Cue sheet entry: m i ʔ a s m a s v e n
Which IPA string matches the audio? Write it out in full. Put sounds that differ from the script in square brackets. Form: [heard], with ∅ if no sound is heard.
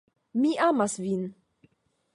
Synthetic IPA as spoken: m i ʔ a [∅] m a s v [i] n